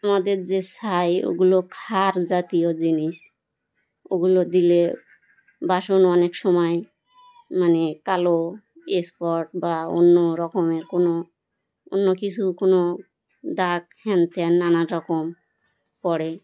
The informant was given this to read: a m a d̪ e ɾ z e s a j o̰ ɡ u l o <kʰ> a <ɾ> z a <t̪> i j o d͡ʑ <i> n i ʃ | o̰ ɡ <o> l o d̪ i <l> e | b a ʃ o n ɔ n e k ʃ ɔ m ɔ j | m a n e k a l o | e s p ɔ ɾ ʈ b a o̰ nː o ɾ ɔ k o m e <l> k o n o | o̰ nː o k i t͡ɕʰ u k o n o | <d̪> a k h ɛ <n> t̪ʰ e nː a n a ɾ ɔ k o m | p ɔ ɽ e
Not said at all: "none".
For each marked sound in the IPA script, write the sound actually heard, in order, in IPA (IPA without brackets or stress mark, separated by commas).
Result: kʰ, ɾ, t̪, i, u, l, ɾ, d̪, n